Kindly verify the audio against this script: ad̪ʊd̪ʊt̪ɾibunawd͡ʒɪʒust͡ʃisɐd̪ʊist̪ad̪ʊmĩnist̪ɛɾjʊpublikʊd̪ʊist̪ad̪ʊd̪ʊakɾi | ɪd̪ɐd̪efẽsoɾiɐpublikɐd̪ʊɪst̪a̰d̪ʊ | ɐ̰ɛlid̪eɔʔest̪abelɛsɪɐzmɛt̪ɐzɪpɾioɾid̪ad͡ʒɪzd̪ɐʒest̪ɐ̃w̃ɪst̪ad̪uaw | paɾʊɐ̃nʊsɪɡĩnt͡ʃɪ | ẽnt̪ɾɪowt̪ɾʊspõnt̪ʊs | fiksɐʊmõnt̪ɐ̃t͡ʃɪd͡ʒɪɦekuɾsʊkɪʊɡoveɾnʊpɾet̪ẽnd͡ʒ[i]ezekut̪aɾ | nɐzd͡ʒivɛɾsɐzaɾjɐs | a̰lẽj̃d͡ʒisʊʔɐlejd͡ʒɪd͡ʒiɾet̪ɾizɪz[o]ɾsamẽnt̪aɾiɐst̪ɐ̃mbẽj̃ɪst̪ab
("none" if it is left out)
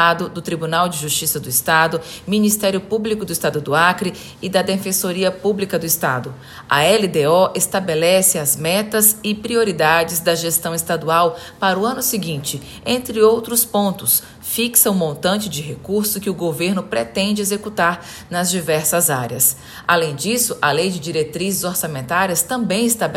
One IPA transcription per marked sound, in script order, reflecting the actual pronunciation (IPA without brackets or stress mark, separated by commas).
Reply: ɪ, o